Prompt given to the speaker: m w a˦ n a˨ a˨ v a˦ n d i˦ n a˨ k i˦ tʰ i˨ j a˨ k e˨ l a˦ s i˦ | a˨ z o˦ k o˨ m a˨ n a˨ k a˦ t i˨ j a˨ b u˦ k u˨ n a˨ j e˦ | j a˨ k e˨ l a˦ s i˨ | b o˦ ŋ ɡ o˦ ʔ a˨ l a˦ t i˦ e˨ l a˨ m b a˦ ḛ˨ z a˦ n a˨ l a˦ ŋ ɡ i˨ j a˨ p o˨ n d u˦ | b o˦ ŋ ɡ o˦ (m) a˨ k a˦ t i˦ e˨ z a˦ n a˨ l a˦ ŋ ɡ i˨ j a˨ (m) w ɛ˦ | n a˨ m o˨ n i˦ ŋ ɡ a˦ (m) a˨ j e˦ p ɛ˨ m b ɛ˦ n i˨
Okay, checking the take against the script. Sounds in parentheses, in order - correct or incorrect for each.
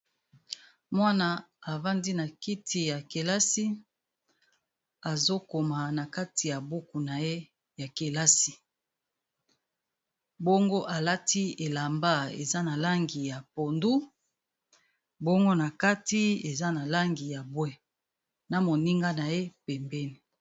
incorrect: n, incorrect: b, incorrect: n

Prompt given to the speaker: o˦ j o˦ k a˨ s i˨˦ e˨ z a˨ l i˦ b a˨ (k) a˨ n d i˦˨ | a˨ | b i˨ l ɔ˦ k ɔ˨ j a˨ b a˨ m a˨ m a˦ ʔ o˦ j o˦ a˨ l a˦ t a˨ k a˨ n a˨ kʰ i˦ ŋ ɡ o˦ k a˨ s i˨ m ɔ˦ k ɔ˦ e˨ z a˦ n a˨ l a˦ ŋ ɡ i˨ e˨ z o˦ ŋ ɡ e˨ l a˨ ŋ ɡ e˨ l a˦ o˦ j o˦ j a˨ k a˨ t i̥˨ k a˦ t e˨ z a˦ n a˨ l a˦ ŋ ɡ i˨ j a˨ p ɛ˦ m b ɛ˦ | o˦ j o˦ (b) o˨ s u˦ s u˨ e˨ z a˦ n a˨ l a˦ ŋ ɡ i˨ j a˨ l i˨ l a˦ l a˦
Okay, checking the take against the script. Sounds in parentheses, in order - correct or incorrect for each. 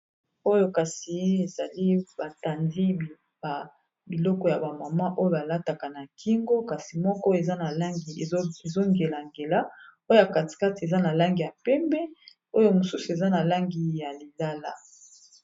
incorrect: t, incorrect: m

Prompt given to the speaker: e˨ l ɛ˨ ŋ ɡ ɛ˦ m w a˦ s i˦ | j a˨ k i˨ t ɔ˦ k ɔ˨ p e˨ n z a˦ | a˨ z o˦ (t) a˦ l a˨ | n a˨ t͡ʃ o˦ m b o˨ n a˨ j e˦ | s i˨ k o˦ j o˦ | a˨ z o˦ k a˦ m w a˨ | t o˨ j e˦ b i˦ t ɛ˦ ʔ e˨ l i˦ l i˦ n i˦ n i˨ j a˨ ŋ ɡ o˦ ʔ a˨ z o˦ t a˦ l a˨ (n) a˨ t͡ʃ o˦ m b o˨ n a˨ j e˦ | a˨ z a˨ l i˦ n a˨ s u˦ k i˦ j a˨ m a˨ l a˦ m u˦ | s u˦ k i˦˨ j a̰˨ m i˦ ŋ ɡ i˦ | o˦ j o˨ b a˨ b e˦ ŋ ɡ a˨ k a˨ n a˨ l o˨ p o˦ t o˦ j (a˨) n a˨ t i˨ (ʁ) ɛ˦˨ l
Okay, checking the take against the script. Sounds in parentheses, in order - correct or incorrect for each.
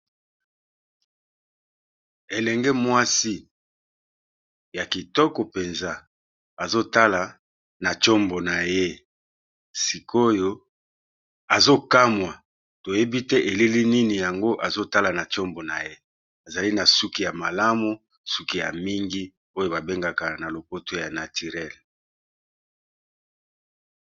correct, correct, correct, correct

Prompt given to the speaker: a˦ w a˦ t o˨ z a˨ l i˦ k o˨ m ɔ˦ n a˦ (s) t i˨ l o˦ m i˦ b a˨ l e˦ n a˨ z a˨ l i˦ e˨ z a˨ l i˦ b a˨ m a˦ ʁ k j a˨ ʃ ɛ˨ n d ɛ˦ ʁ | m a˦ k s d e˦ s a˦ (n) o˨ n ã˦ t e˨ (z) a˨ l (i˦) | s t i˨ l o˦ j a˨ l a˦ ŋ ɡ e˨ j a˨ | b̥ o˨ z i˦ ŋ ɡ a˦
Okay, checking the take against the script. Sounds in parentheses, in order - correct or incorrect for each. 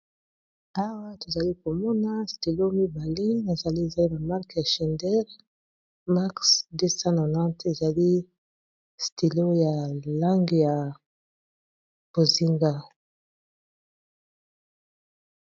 correct, correct, correct, correct

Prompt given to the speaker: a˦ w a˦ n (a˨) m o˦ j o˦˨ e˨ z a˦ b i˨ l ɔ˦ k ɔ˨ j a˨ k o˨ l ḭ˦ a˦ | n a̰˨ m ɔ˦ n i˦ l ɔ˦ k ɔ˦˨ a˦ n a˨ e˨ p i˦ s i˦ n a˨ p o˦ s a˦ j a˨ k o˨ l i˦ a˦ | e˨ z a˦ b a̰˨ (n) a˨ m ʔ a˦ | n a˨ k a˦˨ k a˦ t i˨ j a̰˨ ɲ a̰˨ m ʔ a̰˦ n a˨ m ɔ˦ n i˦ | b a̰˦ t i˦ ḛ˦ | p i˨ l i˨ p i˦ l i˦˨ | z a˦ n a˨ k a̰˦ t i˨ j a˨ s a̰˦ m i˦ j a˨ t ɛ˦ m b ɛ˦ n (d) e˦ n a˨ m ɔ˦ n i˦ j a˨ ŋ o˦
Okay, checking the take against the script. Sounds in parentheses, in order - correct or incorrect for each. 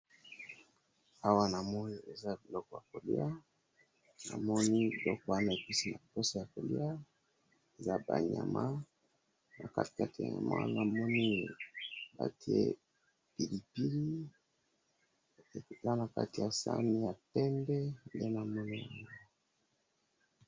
correct, incorrect: ɲ, correct

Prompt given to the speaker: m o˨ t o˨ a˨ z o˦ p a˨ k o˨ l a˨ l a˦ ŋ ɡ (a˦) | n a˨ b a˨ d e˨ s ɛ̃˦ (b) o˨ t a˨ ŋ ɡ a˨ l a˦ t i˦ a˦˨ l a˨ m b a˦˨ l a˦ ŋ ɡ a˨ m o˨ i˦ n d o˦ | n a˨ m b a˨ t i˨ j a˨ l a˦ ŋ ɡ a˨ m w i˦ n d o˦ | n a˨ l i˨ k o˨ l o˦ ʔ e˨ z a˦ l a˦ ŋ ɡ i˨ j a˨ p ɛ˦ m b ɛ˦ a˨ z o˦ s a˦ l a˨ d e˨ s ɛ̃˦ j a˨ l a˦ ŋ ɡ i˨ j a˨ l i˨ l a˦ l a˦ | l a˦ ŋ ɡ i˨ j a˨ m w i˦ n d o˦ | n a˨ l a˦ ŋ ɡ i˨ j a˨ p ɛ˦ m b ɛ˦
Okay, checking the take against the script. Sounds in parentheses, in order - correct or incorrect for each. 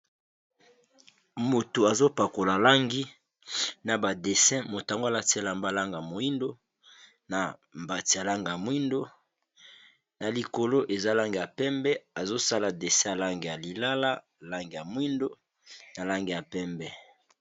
incorrect: i˦, incorrect: m

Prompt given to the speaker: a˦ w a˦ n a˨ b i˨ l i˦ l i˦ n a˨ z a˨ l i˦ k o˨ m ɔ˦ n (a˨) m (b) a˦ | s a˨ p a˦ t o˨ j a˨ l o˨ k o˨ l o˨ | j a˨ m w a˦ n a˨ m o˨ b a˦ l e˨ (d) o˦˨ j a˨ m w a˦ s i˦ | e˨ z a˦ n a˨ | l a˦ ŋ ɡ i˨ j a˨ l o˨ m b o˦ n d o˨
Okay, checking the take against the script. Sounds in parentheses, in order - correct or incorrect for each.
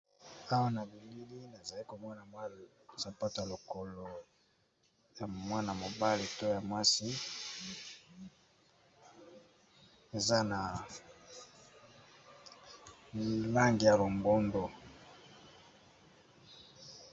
correct, incorrect: w, incorrect: t

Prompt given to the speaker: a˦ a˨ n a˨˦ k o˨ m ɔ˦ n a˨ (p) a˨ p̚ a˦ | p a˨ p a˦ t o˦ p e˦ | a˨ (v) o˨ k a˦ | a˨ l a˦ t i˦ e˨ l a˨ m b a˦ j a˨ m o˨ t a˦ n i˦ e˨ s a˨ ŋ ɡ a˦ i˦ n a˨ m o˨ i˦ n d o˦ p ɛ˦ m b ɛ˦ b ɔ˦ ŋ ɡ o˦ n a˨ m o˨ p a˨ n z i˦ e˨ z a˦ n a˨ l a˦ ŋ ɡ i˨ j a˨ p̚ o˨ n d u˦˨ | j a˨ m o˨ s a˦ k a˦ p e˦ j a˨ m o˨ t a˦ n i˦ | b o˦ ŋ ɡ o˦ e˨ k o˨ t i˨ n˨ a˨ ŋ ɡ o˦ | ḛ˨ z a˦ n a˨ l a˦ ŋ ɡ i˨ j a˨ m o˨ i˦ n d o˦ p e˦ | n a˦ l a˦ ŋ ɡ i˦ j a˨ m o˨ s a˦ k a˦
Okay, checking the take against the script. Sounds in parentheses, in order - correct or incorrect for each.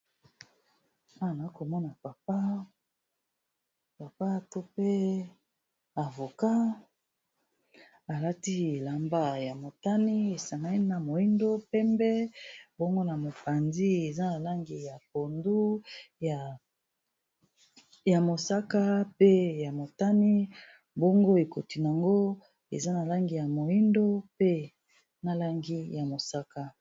correct, correct

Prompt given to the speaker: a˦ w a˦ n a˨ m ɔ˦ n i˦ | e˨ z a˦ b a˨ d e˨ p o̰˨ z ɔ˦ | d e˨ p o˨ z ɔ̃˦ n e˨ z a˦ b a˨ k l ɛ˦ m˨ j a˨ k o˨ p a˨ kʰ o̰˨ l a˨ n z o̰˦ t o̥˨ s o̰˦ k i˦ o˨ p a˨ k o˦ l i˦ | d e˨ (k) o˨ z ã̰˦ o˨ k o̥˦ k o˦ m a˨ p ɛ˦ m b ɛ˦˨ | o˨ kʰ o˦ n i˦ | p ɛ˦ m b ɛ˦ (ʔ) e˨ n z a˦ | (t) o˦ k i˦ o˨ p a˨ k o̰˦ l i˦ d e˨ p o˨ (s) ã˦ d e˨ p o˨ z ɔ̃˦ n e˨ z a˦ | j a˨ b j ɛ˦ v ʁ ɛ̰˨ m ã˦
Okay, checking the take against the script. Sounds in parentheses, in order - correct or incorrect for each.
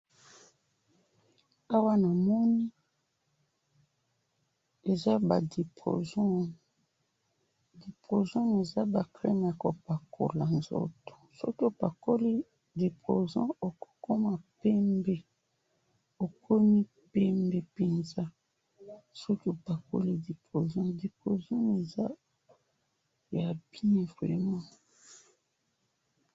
incorrect: p, incorrect: p, incorrect: s, incorrect: z

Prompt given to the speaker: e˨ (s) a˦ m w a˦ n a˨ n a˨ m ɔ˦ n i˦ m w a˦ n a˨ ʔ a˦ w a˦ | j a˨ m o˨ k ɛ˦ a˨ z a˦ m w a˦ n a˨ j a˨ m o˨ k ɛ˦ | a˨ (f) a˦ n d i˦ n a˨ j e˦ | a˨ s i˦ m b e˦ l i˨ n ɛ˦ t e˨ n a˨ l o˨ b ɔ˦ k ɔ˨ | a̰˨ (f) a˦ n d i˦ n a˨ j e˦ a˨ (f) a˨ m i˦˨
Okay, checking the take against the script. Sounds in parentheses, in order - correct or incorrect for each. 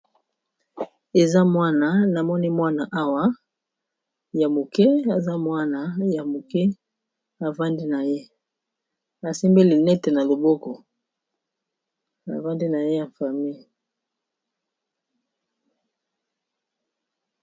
incorrect: z, incorrect: v, incorrect: v, correct

